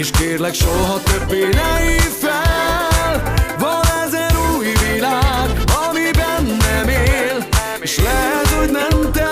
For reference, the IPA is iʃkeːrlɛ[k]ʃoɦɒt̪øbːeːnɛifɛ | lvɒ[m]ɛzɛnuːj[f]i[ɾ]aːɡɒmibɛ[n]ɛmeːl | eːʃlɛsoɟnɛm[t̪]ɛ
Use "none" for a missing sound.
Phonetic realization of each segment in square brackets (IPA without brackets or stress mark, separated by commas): k, n, v, l, nː, t̪